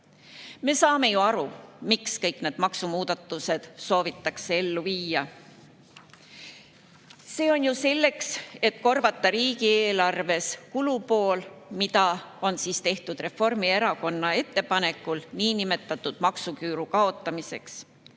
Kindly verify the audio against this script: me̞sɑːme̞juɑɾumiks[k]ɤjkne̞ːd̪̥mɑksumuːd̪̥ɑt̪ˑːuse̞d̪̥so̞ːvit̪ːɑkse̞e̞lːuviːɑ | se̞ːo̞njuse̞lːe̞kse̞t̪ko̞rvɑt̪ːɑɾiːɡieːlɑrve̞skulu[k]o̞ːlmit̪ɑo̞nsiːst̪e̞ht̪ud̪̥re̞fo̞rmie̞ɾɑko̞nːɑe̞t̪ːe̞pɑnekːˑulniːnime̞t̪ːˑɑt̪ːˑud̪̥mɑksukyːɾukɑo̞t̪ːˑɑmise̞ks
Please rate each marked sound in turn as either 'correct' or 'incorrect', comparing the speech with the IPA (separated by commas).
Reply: correct, incorrect